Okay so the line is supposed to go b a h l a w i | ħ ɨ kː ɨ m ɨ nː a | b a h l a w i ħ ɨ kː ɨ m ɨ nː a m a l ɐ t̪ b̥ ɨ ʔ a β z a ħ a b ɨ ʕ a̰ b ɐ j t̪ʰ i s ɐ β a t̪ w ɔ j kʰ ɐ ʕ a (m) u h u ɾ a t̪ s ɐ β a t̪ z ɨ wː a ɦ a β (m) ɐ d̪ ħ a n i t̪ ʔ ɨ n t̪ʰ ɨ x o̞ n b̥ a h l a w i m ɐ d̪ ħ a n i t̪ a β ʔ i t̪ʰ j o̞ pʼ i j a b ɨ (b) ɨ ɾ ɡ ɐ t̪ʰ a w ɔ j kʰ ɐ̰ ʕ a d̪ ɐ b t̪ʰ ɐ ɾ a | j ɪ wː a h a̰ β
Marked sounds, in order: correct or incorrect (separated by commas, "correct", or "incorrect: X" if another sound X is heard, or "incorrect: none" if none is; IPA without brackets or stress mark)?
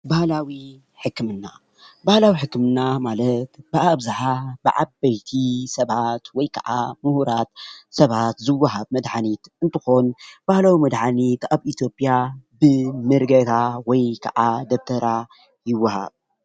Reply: correct, correct, incorrect: m